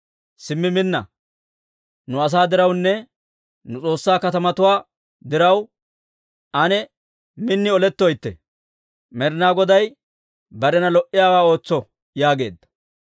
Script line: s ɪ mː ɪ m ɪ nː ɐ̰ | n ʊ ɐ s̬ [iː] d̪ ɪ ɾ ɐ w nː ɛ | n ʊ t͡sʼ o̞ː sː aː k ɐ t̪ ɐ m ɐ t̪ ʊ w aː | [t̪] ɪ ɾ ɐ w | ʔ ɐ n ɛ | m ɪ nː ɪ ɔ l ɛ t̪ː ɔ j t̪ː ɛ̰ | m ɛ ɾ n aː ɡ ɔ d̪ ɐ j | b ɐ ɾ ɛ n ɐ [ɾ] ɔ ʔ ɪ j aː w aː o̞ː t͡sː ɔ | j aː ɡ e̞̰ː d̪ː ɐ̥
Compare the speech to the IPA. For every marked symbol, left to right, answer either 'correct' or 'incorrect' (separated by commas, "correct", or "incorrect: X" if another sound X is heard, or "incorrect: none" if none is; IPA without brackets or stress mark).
incorrect: aː, incorrect: d̪, incorrect: l